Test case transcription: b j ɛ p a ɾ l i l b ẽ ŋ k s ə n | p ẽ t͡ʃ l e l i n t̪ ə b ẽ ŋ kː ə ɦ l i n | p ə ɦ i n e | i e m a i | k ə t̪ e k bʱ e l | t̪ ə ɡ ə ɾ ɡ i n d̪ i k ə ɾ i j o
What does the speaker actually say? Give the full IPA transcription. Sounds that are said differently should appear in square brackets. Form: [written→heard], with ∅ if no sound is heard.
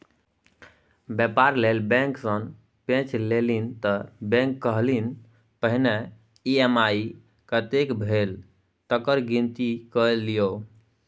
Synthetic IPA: b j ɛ p a ɾ l [i→e] l b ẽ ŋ k s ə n | p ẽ t͡ʃ l e l i n t̪ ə b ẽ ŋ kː ə ɦ l i n | p ə ɦ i n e | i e m a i | k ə t̪ e k bʱ e l | t̪ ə [ɡ→k] ə ɾ ɡ i n [d̪→t̪] i k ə [ɾ→l] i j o